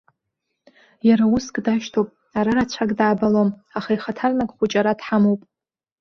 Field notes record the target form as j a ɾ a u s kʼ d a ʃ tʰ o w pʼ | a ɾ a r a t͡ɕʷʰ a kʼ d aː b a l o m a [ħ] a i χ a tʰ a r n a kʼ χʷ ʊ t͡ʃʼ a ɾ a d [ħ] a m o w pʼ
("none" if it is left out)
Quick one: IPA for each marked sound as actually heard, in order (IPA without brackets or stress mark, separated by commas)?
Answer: χ, ħ